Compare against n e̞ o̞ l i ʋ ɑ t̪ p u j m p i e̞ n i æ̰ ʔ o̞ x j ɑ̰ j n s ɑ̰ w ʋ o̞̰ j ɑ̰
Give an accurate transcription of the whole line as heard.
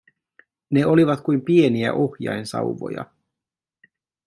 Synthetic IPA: n e̞ o̞ l i ʋ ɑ t̪ k u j m p i e̞ n i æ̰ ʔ o̞ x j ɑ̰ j n s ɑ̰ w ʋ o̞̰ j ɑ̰